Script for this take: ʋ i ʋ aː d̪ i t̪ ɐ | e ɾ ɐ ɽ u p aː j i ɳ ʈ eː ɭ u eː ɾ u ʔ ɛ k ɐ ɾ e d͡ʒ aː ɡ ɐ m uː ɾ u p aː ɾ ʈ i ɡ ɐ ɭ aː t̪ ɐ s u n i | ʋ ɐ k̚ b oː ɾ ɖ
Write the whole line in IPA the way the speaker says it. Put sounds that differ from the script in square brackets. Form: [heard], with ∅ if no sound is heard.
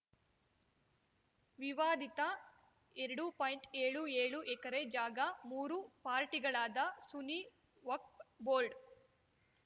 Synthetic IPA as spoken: ʋ i ʋ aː d̪ i t̪ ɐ | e ɾ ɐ ɽ u p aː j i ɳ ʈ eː ɭ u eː [ɭ] u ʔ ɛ k ɐ ɾ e d͡ʒ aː ɡ ɐ m uː ɾ u p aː ɾ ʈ i ɡ ɐ ɭ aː [d̪] ɐ s u n i | ʋ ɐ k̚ b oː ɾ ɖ